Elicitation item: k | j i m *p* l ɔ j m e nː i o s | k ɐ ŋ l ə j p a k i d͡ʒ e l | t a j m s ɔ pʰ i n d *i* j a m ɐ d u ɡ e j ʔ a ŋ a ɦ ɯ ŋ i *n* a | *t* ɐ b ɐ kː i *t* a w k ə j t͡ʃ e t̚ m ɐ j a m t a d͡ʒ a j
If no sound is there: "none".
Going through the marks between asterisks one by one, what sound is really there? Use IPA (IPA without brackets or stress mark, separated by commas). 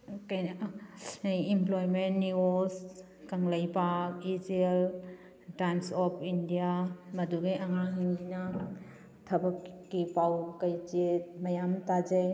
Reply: p, i, n, tʰ, p